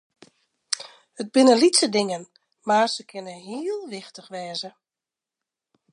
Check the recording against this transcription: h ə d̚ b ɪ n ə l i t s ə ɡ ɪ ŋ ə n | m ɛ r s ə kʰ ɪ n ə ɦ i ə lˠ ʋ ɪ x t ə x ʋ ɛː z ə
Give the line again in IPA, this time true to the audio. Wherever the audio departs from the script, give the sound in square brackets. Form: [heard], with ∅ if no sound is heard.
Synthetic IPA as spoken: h ə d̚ b ɪ n ə l i t s ə [d] ɪ ŋ ə n | m [a] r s ə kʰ ɪ n ə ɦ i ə lˠ ʋ ɪ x t ə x ʋ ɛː z ə